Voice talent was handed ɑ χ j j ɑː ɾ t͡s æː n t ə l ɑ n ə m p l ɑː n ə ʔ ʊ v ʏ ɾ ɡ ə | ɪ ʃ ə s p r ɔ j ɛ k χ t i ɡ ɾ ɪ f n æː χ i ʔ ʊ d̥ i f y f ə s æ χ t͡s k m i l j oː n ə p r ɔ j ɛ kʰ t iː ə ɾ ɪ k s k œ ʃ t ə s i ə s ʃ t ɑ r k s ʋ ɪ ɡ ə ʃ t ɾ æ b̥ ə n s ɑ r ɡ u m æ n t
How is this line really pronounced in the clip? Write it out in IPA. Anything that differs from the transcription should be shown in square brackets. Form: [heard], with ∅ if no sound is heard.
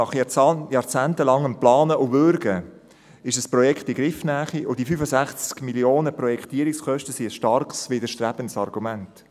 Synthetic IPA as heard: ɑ χ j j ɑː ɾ t͡s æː n t ə l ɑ [ŋ] ə m p l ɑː n ə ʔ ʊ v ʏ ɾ ɡ ə | ɪ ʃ ə s p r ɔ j ɛ k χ t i ɡ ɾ ɪ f n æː χ i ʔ ʊ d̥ i f y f ə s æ χ t͡s k m i l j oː n ə p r ɔ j ɛ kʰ t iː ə ɾ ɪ k s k œ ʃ t ə s i ə s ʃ t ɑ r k s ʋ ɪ [d] ə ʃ t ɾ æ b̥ ə n s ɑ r ɡ u m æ n t

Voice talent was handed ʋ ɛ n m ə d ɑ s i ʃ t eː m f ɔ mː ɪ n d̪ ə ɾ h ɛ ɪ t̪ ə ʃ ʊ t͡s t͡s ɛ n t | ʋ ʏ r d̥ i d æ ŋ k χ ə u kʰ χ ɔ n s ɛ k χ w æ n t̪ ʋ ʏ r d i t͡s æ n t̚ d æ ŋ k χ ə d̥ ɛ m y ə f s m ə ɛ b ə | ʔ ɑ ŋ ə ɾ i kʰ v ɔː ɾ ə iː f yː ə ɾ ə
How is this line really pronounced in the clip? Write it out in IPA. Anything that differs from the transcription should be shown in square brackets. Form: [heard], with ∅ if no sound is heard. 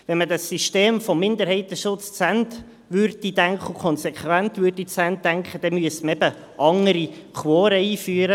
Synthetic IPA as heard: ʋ ɛ n m ə d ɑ s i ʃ t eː m f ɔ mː ɪ n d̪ ə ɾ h ɛ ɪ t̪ ə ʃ ʊ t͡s t͡s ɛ n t | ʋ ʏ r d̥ i d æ ŋ k χ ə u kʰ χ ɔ n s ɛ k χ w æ n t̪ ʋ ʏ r d i t͡s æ n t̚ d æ ŋ k χ ə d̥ ɛ m y ə [∅] s m ə ɛ b ə | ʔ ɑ ŋ ə ɾ i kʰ [w] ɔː ɾ ə iː f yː ə ɾ ə

